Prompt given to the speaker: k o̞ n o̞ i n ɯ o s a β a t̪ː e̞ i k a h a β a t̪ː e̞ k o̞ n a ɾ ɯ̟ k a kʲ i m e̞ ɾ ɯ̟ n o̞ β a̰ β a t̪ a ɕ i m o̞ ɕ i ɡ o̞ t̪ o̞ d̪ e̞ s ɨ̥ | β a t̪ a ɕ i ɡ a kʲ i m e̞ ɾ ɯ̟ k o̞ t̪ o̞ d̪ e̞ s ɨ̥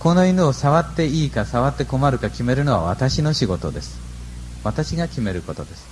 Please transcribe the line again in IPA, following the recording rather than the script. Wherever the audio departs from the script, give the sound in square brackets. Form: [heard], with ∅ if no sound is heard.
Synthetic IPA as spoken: k o̞ n o̞ i n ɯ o s a β a t̪ː e̞ [iː] k a [s] a β a t̪ː e̞ k o̞ [m] a ɾ ɯ̟ k a kʲ i m e̞ ɾ ɯ̟ n o̞ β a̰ β a t̪ a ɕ i [n] o̞ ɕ i ɡ o̞ t̪ o̞ d̪ e̞ s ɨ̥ | β a t̪ a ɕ i ɡ a kʲ i m e̞ ɾ ɯ̟ k o̞ t̪ o̞ d̪ e̞ s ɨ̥